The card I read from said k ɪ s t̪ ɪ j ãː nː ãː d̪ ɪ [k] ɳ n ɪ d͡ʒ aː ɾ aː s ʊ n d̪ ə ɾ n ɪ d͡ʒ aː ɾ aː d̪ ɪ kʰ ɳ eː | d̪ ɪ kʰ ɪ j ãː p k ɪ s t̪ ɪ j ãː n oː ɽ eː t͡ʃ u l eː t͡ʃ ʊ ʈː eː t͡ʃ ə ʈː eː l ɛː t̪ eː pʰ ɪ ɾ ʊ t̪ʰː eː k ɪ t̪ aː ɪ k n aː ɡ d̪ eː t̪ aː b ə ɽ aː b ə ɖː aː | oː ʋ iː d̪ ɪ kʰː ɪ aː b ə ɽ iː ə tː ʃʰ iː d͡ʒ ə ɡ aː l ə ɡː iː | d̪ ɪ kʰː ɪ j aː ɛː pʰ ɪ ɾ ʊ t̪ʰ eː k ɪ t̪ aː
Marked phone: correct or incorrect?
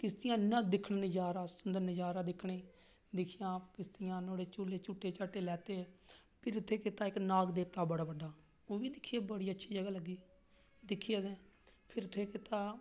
incorrect: kʰ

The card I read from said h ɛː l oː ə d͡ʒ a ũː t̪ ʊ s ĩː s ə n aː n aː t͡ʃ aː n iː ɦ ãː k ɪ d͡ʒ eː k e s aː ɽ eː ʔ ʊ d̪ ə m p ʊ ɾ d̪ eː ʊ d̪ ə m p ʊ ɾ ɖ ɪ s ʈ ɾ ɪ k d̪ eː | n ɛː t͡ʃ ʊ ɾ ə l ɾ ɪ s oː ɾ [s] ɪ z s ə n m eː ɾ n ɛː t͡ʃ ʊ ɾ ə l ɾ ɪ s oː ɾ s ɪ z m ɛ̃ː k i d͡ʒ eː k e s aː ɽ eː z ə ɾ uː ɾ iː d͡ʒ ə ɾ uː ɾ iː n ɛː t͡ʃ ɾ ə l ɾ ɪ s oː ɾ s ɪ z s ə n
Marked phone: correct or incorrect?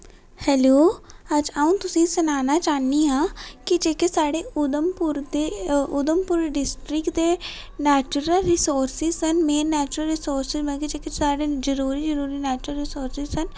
correct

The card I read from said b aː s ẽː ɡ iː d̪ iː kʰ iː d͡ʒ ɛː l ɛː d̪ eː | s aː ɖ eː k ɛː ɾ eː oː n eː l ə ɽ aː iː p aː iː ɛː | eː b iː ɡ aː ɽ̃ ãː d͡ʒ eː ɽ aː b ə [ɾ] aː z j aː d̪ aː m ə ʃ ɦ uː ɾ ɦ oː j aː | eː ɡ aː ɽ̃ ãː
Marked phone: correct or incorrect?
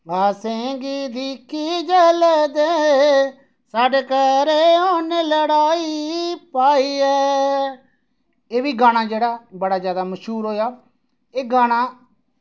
incorrect: ɽ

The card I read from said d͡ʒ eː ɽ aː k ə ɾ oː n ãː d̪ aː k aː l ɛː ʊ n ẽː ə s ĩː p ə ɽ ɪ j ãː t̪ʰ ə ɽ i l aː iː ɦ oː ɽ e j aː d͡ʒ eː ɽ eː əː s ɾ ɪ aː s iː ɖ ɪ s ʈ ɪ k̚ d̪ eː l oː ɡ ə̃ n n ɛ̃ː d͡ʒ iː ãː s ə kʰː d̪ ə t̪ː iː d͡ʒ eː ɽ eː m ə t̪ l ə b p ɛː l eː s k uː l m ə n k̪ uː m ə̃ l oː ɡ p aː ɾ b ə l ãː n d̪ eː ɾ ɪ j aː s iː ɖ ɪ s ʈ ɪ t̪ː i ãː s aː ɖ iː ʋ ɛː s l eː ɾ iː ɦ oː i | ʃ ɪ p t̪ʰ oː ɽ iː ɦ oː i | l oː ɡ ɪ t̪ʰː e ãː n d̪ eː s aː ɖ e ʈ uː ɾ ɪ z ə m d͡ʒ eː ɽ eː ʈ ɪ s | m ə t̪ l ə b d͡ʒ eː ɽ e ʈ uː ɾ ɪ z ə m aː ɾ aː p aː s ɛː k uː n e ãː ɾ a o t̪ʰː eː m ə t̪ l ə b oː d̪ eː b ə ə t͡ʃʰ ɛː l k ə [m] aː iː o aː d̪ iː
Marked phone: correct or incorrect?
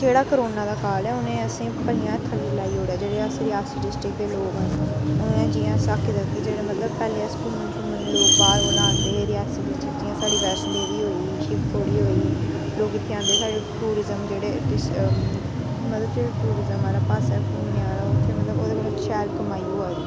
correct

